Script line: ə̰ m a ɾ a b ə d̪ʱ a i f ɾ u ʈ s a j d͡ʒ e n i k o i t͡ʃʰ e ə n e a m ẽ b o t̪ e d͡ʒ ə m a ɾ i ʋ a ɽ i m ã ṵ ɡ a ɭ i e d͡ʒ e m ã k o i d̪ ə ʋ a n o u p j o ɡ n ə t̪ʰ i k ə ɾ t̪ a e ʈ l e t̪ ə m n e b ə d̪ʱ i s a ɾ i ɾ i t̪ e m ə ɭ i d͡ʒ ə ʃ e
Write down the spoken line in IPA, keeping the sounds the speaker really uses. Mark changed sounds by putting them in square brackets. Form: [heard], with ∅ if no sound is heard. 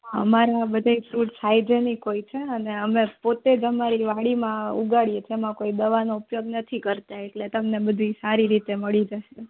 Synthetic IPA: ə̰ m a ɾ a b ə d̪ʱ a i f ɾ u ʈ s a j d͡ʒ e n i k o i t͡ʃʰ e ə n e [ə] m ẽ [p] o t̪ e d͡ʒ ə m a ɾ i ʋ a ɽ i m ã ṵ ɡ a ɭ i e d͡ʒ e m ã k o i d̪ ə ʋ a n o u p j o ɡ n ə t̪ʰ i k ə ɾ t̪ a e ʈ l e t̪ ə m n e b ə d̪ʱ i s a ɾ i ɾ i t̪ e m ə ɭ i d͡ʒ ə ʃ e